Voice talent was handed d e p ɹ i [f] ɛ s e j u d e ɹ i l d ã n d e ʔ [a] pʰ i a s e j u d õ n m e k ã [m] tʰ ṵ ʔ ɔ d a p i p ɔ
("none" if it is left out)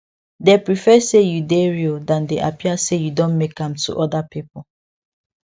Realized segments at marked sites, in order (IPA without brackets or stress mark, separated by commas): f, a, m